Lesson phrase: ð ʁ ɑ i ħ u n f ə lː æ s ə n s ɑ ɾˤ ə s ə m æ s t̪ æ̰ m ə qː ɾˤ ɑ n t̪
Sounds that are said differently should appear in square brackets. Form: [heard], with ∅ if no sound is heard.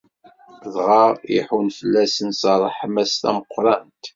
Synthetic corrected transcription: ð ʁ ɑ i ħ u n f ə lː æ s ə n s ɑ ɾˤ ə [ħ] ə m æ s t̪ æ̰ m ə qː ɾˤ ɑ n t̪

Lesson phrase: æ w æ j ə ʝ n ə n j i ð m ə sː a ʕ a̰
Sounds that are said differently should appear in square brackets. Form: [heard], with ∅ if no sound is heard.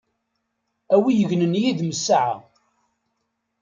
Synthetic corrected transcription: æ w [i] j ə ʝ n ə n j i ð m ə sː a ʕ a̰

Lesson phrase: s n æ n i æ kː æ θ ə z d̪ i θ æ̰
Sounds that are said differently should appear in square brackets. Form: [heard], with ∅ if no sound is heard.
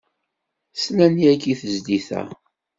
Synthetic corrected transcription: s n æ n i æ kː [i] θ ə z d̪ i θ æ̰

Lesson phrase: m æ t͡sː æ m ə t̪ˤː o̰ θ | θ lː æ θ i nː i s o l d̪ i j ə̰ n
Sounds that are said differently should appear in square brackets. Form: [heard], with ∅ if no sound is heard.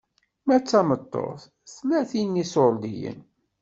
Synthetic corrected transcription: m æ t͡sː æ m ə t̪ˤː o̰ θ | θ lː æ θ i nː i s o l d̪ i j ə̰ n

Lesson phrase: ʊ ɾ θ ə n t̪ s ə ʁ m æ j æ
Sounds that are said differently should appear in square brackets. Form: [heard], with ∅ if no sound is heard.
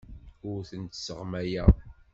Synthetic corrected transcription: ʊ ɾ θ ə n t̪ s ə ʁ m æ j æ

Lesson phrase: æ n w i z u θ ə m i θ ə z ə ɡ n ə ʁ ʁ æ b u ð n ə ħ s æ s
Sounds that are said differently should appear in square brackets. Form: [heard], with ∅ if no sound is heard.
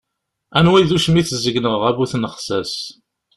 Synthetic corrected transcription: æ n w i [ð] u [ʃ] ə m i θ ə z ə ɡ n ə ʁ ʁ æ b u [θ] n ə [χ] s æ s

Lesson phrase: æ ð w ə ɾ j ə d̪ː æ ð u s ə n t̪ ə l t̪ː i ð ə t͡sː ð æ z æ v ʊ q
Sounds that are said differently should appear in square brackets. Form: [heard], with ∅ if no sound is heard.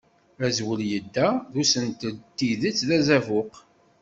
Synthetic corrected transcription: æ [z] w ə [l] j ə d̪ː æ ð u s ə n t̪ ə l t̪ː i ð ə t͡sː ð æ z æ v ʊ q

